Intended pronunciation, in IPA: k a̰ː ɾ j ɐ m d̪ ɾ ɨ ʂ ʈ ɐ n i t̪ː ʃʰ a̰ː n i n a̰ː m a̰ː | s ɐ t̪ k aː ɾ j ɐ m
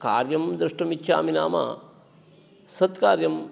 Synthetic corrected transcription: k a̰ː ɾ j ɐ m d̪ ɾ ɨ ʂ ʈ ɐ m i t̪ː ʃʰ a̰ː m i n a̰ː m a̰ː | s ɐ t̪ k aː ɾ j ɐ m